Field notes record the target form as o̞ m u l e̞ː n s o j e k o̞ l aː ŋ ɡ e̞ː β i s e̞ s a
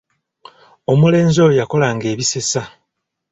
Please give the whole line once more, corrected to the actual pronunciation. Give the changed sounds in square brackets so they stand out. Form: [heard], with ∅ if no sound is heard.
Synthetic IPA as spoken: o̞ m u l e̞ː n [z] o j [a] k o̞ l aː ŋ ɡ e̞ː β i s e̞ s a